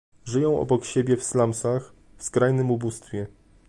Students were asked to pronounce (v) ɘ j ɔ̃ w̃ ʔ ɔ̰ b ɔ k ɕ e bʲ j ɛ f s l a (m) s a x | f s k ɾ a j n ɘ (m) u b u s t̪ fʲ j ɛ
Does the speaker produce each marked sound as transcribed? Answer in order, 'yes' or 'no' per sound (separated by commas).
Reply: no, yes, yes